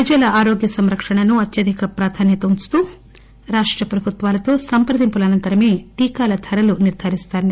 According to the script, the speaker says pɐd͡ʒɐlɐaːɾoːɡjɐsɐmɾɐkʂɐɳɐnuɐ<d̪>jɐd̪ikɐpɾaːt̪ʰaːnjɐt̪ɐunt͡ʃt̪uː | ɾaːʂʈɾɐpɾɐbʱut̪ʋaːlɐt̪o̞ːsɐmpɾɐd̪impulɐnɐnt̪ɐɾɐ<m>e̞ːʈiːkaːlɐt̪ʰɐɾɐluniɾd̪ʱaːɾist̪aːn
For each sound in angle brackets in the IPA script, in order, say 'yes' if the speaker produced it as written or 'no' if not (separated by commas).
no, yes